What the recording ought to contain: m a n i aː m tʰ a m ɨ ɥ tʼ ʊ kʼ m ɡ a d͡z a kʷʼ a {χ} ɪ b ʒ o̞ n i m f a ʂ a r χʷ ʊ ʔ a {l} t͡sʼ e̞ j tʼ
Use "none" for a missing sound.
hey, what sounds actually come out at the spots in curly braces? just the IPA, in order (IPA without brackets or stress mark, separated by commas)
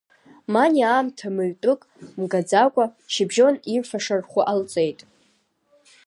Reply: ʃ, l